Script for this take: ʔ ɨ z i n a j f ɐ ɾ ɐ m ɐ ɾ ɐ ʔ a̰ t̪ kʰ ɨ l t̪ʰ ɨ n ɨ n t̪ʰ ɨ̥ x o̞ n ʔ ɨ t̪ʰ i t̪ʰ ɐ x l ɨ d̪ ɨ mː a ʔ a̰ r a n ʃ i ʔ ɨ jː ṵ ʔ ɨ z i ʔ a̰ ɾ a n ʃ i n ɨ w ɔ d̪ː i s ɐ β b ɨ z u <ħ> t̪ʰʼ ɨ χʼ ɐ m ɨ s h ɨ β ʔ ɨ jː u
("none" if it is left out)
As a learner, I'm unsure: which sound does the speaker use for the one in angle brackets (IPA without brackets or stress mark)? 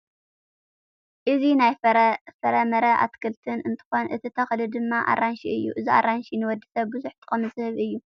ħ